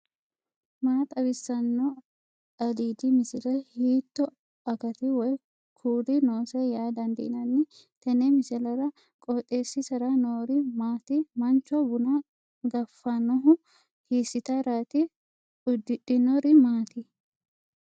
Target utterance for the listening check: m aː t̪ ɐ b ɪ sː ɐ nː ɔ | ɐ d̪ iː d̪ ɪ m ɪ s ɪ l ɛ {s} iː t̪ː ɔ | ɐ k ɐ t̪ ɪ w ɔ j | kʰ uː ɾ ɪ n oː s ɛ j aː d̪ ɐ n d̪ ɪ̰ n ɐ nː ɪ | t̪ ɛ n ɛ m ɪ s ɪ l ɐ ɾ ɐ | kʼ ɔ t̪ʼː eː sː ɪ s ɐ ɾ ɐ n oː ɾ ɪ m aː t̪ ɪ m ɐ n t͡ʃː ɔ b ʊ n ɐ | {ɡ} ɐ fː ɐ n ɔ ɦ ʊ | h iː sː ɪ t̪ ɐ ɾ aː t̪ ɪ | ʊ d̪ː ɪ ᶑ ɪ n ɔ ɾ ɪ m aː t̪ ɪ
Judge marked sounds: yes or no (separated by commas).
no, yes